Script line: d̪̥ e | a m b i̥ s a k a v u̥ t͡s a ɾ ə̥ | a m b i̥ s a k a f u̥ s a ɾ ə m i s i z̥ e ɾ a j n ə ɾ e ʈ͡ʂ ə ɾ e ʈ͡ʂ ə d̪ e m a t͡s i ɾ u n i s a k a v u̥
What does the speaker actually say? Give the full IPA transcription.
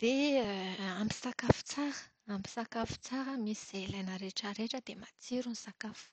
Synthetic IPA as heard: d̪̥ e | a m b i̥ s a k a f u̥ t͡s a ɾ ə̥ | a m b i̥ s a k a f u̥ t͡s a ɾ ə m i s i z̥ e l a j n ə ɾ e ʈ͡ʂ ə ɾ e ʈ͡ʂ ə d̪ e m a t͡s i ɾ u n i s a k a f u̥